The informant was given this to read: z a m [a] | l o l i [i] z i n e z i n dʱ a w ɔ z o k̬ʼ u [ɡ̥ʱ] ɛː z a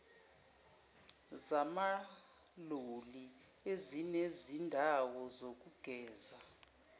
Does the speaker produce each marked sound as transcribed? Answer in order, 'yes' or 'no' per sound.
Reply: yes, no, yes

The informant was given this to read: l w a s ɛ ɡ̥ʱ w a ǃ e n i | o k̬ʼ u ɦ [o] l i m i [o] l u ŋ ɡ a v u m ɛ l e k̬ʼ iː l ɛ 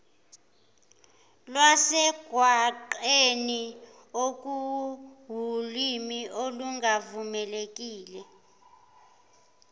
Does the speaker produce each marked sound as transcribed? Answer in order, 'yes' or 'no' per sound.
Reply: no, yes

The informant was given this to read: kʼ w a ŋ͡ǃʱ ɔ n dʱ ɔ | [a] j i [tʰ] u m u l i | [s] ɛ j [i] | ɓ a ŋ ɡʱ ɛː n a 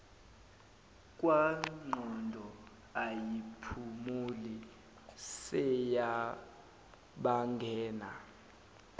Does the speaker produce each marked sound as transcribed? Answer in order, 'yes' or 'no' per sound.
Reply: yes, no, yes, no

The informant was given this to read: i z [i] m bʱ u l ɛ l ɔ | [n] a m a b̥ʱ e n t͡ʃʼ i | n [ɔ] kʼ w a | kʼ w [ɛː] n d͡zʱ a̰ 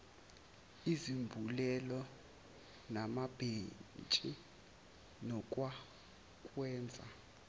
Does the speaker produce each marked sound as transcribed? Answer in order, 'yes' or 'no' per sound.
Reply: yes, yes, yes, yes

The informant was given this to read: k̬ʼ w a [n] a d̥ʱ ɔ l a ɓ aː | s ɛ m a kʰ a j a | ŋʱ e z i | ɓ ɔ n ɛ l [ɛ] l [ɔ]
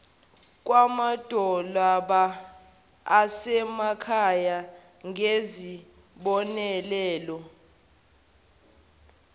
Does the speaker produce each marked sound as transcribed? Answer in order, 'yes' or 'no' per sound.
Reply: no, no, yes

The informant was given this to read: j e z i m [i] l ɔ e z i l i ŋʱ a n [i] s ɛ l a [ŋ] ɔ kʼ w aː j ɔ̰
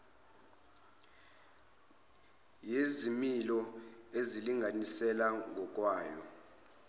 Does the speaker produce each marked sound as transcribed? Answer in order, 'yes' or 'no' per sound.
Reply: yes, yes, yes

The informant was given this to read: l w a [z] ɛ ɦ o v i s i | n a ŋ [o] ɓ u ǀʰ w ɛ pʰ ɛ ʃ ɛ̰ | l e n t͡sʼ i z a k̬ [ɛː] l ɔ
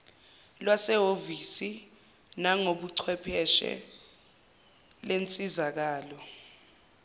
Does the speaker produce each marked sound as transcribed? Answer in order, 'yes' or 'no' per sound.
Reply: no, yes, no

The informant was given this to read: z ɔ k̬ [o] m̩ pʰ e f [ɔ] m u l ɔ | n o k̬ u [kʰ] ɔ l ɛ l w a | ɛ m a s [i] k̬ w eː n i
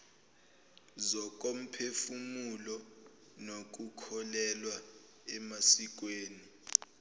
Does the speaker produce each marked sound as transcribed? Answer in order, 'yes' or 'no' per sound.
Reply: yes, no, yes, yes

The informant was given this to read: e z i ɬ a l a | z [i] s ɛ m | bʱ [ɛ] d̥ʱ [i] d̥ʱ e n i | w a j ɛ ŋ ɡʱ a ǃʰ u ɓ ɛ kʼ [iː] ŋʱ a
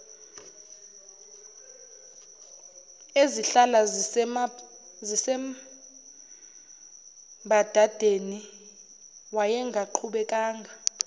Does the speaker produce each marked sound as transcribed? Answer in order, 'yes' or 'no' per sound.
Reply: yes, no, no, no

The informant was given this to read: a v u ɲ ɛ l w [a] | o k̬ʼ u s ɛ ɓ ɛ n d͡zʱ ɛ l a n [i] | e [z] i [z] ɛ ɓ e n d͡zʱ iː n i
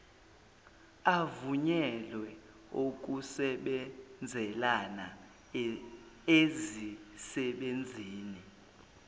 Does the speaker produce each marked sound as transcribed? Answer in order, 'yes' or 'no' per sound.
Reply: no, no, yes, no

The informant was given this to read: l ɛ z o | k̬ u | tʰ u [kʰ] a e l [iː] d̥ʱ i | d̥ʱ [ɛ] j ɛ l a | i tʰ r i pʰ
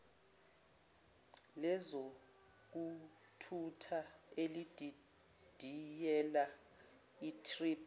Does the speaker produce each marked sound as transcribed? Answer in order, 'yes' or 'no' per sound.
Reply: no, no, no

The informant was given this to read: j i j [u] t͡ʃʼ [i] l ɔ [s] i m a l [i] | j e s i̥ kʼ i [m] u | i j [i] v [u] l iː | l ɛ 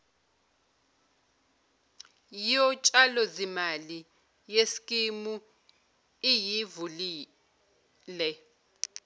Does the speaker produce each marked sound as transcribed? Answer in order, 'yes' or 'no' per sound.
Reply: no, no, no, yes, yes, yes, yes

